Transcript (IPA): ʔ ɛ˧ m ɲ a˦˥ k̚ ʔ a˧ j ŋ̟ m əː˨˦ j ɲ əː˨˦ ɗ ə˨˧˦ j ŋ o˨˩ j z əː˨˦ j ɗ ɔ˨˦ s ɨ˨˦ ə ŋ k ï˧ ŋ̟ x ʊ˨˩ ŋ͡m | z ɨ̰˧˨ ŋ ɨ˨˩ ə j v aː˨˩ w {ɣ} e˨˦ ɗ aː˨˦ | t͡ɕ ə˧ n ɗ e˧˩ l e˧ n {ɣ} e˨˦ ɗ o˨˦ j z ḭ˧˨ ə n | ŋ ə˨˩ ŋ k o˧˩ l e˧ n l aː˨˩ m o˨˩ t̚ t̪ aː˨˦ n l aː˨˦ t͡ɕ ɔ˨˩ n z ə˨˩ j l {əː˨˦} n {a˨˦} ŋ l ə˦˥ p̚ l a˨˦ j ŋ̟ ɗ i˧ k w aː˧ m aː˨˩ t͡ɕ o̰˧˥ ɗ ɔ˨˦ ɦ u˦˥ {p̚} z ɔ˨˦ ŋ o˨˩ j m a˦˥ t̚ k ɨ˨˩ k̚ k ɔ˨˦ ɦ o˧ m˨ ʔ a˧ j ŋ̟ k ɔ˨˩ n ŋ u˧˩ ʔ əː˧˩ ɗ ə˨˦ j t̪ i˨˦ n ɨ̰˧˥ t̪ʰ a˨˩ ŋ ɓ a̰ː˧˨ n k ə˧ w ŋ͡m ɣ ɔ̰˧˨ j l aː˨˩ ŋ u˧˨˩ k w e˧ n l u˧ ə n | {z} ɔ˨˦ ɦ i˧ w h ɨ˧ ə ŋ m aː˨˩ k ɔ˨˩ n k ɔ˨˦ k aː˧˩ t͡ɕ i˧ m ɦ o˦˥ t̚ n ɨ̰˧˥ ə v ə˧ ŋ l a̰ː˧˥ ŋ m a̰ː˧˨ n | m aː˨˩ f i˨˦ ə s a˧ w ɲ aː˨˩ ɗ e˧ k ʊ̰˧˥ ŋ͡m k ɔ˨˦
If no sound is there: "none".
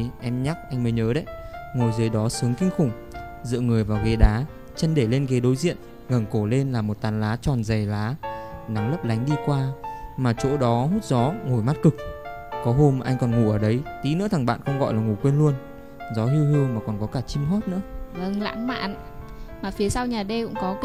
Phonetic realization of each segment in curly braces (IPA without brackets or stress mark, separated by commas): ɣ, ɣ, aː˨˦, a˨˦, t̚, z